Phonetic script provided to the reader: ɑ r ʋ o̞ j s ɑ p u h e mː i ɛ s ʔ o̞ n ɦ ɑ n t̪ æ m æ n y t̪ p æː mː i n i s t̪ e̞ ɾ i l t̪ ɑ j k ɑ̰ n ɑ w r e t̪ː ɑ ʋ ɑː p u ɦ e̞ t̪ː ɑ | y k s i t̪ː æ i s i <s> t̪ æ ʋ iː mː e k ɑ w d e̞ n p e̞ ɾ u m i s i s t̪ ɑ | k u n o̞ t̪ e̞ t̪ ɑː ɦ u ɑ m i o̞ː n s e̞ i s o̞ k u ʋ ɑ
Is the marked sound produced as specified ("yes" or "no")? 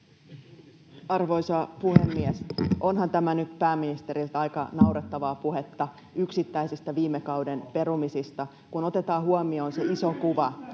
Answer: yes